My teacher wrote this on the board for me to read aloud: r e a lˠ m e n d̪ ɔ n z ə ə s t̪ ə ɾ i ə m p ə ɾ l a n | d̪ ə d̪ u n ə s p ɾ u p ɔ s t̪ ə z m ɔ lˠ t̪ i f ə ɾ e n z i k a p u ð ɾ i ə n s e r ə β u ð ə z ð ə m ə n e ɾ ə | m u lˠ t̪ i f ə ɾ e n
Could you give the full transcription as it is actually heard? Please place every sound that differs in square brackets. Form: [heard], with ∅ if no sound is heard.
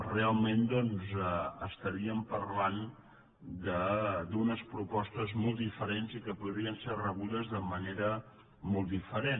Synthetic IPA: r e a lˠ m e n d̪ ɔ n z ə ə s t̪ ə ɾ i ə m p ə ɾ l a n | d̪ ə d̪ u n ə s p ɾ u p ɔ s t̪ ə z m ɔ lˠ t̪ i f ə ɾ e n z i k [ə] p u ð ɾ i ə n s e r ə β u ð ə z ð ə m ə n e ɾ ə | m [ɔ] lˠ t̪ i f ə ɾ e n